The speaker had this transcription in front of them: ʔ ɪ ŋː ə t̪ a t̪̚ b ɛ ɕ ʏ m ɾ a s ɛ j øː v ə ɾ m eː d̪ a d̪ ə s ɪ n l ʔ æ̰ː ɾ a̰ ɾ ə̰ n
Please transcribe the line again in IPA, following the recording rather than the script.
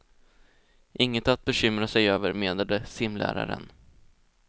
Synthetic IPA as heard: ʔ ɪ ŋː ə t̪ a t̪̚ b ɛ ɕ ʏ m ɾ a s ɛ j øː v ə ɾ m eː d̪ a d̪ ə s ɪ m l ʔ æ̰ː ɾ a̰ ɾ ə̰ n